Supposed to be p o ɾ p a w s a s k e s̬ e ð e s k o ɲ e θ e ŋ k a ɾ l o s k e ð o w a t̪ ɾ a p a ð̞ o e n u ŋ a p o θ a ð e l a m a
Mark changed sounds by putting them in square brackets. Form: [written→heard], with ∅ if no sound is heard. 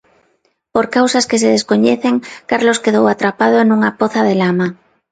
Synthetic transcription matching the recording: p o ɾ [p→k] a w s a s k e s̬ e ð e s k o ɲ e θ e ŋ k a ɾ l o s k e ð o w a t̪ ɾ a p a ð̞ o e n u ŋ a p o θ a ð e l a m a

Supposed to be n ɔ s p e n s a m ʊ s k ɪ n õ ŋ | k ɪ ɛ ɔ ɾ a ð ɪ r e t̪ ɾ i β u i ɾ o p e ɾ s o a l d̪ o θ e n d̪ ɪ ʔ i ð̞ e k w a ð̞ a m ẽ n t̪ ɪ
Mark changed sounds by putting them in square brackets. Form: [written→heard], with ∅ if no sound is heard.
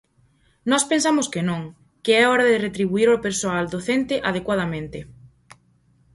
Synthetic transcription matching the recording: n ɔ s p e n s a m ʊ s k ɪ n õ ŋ | k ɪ ɛ ɔ ɾ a ð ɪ r e t̪ ɾ i β u i ɾ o p e ɾ s o a l d̪ o θ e n [d̪→t̪] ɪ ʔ [i→a] ð̞ e k w a ð̞ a m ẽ n t̪ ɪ

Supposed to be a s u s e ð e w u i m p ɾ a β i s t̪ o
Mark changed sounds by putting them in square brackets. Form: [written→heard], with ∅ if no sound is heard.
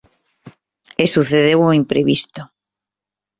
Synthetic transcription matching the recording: [a→e] s u [s→θ] e ð e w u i m p ɾ [a→e] β i s t̪ o

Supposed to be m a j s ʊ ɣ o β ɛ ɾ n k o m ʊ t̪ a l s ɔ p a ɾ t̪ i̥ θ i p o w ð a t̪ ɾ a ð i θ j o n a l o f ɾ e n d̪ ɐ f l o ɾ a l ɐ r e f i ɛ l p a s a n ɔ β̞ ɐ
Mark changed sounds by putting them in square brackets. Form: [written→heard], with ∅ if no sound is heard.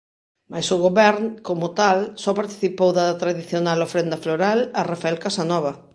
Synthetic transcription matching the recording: m a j s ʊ ɣ o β ɛ ɾ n k o m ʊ t̪ a l s ɔ p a ɾ t̪ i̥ θ i p o w ð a t̪ ɾ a ð i θ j o n a l o f ɾ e n d̪ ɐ f l o ɾ a l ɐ r [e→a] f [i→a] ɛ l [p→k] a s a n ɔ β̞ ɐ

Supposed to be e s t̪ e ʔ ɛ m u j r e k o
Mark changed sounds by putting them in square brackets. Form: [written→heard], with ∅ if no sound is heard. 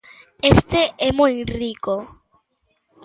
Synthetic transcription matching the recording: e s t̪ e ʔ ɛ m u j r [e→i] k o

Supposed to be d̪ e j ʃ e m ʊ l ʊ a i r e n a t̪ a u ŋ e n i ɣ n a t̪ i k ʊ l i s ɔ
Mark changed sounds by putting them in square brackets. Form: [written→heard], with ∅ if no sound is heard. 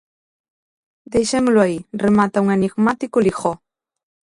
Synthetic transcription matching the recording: d̪ e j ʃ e m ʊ l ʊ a i r e [n→m] a t̪ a u ŋ e n i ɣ [n→m] a t̪ i k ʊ l i [s→x] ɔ

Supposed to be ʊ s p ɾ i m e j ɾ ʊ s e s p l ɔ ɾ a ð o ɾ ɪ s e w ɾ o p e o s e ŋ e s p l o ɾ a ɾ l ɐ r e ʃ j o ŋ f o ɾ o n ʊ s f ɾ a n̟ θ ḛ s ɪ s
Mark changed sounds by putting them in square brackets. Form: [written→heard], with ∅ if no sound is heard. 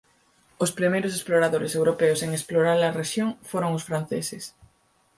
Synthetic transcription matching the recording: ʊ s p ɾ i m e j ɾ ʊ s e s p l [ɔ→o] ɾ a ð o ɾ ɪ s e w ɾ o p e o s e ŋ e s p l o ɾ a ɾ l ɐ r e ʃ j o ŋ f o ɾ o [n→ŋ] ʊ s f ɾ a n̟ θ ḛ s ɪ s

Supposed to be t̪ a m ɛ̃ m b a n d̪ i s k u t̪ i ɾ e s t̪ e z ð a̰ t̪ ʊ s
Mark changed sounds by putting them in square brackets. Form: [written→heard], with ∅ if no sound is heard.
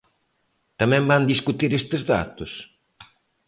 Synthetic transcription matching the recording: t̪ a m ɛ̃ m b a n d̪ i s k u t̪ i ɾ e s t̪ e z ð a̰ t̪ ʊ s

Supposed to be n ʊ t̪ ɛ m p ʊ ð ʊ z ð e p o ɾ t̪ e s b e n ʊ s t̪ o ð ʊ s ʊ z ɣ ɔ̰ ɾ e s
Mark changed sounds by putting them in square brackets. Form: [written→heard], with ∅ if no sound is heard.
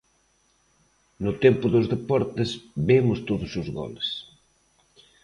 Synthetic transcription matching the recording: n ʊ t̪ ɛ m p ʊ ð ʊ z ð e p [o→ɔ] ɾ t̪ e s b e [n→m] ʊ s t̪ o ð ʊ s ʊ z ɣ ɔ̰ [ɾ→l] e s

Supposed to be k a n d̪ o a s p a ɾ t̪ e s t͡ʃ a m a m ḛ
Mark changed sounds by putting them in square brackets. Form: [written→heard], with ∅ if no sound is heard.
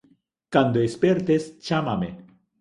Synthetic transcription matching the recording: k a n d̪ o [a→e] s p [a→e] ɾ t̪ e s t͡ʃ a m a m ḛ

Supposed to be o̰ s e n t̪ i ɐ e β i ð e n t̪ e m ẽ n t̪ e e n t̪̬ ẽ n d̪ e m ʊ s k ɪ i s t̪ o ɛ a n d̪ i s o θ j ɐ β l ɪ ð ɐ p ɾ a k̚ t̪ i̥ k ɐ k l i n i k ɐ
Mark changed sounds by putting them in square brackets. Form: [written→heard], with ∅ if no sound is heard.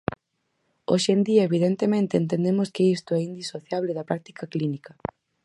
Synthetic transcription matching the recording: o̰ [s→ʃ] e n [t̪→d̪] i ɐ e β i ð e n t̪ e m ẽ n t̪ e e n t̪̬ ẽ n d̪ e m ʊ s k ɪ i s t̪ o ɛ [a→i] n d̪ i s o θ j [ɐ→a] β l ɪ ð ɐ p ɾ a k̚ t̪ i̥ k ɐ k l i n i k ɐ

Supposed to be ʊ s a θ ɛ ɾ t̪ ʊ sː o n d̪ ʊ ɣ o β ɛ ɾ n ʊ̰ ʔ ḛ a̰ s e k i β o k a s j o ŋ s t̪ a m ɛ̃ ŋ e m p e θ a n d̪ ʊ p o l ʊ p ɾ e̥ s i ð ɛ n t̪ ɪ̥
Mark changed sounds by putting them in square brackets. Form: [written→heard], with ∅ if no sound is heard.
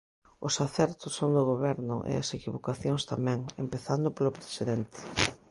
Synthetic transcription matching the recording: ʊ s a θ ɛ ɾ t̪ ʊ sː o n d̪ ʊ ɣ o β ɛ ɾ n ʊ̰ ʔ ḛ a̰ s e k i β o k a [s→θ] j o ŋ s t̪ a m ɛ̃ ŋ e m p e θ a n d̪ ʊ p o l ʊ p ɾ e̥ s i ð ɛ n t̪ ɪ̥

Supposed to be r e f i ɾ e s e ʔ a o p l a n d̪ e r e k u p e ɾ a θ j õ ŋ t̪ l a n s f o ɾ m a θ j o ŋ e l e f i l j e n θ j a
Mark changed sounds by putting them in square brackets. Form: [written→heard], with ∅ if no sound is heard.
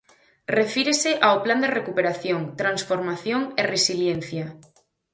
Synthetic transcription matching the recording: r e f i ɾ e s e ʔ a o p l a n d̪ e r e k u p e ɾ a θ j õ ŋ t̪ [l→ɾ] a n s f o ɾ m a θ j o ŋ e [l→r] e [f→s] i l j e n θ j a

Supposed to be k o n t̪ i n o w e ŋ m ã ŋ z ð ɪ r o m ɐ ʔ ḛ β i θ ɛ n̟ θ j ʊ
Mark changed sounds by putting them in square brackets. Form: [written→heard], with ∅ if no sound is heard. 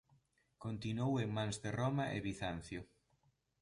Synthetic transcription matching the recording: k o n t̪ i n o w e ŋ m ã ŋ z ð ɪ r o m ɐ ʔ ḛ β i θ [ɛ→a] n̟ θ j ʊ

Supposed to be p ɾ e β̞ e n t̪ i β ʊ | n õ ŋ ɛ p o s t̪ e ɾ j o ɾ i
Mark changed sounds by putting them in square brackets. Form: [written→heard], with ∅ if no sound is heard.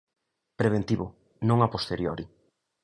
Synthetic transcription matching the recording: p ɾ e β̞ e n t̪ i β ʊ | n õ ŋ [ɛ→a] p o s t̪ e ɾ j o ɾ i

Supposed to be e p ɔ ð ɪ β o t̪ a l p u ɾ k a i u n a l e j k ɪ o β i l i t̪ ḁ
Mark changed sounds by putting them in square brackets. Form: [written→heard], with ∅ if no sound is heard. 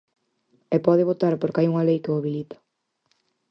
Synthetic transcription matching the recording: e p ɔ ð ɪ β o t̪ a [l→ɾ] p [u→o] ɾ k a [i→j] u [n→ŋ] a l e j k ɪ o β i l i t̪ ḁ

